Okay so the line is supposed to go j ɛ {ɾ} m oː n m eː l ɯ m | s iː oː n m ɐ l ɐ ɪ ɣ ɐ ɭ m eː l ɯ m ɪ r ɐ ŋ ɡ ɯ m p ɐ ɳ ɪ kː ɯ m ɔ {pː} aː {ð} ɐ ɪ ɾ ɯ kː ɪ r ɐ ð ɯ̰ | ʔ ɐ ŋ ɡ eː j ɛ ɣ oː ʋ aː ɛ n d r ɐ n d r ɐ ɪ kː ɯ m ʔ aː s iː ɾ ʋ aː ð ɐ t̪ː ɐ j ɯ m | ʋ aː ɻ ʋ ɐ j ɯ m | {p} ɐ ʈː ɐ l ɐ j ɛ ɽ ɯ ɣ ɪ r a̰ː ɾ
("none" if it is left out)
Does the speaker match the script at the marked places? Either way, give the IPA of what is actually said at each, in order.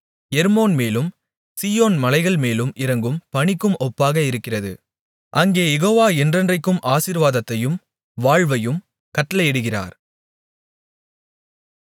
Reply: ɾ, pː, ɣ, k

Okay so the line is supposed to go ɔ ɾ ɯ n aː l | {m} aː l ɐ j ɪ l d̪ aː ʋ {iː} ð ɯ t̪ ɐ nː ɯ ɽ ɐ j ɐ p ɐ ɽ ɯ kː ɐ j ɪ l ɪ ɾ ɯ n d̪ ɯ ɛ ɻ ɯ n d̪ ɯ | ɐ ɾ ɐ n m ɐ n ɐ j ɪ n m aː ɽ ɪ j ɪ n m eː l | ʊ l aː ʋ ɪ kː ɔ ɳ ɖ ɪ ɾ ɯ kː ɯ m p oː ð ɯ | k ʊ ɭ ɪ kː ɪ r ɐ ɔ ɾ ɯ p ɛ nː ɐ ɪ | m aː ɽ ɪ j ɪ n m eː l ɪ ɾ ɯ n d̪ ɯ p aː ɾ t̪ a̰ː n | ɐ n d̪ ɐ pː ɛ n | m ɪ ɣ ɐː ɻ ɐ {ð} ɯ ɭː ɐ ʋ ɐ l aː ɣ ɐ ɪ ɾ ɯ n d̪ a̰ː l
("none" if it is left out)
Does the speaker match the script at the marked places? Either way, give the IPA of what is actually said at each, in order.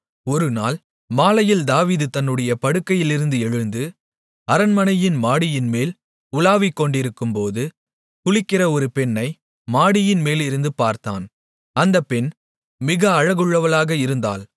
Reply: m, iː, ɣ

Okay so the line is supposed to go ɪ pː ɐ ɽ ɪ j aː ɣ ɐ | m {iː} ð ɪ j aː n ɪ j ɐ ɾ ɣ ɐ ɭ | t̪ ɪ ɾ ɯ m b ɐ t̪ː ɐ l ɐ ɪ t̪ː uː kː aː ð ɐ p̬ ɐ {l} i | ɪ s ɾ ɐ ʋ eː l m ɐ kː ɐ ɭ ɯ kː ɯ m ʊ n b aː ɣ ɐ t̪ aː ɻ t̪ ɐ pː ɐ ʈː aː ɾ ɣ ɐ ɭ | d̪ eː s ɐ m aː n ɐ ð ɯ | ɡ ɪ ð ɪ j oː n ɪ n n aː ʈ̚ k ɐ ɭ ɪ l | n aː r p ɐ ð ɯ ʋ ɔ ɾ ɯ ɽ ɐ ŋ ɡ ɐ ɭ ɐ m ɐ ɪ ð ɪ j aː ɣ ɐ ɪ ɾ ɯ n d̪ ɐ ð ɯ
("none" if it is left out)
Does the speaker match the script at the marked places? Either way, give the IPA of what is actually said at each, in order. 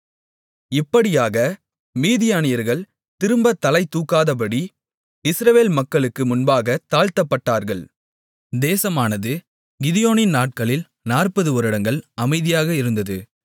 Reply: iː, ɽ

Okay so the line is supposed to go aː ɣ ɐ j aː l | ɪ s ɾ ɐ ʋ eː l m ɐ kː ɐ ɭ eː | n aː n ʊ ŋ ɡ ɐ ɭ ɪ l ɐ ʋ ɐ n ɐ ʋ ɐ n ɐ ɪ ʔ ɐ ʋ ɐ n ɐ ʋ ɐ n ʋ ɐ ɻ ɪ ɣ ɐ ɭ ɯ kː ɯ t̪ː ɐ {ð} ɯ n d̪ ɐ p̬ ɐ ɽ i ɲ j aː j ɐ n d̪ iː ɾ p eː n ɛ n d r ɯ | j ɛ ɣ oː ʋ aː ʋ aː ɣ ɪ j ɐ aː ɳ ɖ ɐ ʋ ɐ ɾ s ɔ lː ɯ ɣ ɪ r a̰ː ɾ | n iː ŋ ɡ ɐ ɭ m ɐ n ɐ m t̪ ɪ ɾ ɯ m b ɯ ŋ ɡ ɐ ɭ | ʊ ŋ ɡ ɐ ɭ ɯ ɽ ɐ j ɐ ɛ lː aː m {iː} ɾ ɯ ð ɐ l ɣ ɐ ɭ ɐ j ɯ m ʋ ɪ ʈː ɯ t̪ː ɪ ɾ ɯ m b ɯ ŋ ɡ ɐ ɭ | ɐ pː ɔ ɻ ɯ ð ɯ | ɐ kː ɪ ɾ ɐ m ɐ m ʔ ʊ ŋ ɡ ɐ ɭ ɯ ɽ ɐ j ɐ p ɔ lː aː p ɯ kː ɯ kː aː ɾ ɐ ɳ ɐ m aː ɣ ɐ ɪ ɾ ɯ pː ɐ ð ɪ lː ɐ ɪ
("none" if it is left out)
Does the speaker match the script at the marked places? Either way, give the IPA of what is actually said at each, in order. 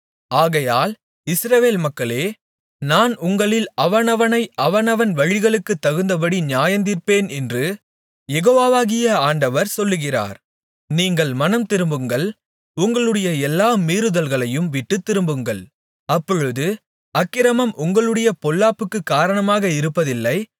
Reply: ɣ, iː

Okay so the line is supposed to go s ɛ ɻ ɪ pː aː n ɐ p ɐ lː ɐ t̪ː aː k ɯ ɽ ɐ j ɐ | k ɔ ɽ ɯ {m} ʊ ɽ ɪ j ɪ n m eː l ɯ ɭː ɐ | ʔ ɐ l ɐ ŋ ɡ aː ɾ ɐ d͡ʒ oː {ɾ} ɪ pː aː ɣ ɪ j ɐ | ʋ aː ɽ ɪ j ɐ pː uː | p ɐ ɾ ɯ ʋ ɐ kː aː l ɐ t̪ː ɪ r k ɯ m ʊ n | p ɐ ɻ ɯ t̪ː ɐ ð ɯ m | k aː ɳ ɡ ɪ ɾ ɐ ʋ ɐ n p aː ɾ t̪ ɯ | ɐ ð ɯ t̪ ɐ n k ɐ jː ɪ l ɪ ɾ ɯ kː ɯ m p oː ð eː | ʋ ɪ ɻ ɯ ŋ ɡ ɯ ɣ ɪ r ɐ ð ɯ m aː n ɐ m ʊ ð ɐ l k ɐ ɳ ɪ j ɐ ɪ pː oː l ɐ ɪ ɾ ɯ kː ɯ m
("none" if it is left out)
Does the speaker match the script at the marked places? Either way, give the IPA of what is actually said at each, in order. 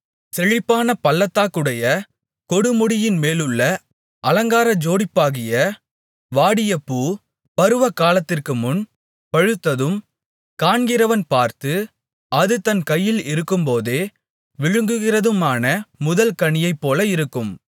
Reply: m, ɽ

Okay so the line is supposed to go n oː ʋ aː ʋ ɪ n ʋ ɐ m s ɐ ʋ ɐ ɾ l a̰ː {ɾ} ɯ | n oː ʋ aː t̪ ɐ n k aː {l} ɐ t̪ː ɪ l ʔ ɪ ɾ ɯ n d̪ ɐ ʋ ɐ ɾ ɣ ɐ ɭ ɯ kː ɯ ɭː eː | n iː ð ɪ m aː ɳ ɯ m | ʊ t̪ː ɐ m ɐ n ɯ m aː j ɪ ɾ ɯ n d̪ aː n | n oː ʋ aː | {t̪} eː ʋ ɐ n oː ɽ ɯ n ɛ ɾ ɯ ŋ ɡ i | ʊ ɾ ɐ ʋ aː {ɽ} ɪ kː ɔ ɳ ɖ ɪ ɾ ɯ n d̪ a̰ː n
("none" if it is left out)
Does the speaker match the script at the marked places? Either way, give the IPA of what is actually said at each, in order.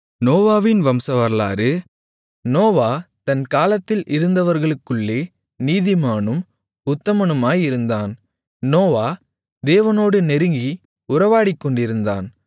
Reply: ɾ, l, d̪, ɽ

